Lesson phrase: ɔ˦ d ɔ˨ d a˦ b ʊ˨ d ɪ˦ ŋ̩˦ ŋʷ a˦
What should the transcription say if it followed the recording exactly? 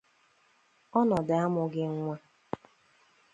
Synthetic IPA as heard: ɔ˦ n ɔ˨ d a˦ m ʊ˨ ɡ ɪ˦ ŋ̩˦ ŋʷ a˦